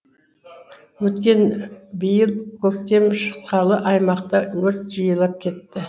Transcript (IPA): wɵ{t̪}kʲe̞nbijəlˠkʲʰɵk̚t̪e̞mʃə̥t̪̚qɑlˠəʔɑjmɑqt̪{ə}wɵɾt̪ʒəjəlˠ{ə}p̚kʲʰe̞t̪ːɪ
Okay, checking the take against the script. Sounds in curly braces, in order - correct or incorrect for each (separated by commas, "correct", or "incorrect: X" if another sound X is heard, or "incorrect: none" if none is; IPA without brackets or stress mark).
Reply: correct, incorrect: ɑ, incorrect: ɑ